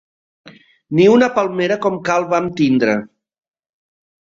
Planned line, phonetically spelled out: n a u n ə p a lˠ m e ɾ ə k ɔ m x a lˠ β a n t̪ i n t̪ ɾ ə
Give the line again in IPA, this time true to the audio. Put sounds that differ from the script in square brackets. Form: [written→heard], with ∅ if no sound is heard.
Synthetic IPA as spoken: n [a→i] u n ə p a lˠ m e ɾ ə k ɔ m [x→k] a lˠ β a [n→m] t̪ i n [t̪→d̪] ɾ ə